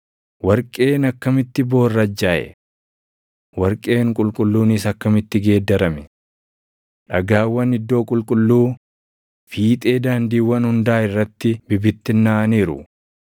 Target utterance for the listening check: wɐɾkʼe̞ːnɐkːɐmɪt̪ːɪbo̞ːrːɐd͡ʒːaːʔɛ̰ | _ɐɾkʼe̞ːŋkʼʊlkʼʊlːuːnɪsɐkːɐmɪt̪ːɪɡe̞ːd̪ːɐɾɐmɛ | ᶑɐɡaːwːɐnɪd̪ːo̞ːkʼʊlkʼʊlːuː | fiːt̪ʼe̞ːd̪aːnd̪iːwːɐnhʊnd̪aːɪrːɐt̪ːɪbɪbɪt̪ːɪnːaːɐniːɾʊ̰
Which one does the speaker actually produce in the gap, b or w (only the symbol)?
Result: w